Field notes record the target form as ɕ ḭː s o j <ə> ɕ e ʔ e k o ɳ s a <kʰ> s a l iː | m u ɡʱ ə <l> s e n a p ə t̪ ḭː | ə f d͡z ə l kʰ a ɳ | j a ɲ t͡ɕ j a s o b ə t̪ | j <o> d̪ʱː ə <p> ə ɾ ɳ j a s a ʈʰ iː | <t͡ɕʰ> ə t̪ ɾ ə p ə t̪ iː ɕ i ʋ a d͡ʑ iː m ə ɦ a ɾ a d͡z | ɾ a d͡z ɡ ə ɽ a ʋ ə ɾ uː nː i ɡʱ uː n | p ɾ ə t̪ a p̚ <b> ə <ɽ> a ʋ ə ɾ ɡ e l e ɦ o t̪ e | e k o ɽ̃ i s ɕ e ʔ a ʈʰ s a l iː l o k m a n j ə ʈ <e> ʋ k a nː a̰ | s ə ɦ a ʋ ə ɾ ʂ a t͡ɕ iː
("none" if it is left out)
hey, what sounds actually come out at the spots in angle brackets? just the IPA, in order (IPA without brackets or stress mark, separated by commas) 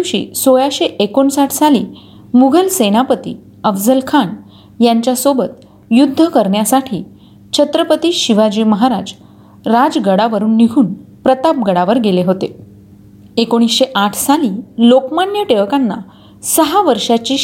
a, ʈʰ, l, u, k, t͡ɕʰ, ɡ, ɽ, e